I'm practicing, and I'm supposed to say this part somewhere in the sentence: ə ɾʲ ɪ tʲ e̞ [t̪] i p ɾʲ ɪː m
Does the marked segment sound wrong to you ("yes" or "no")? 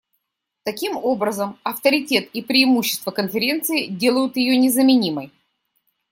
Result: no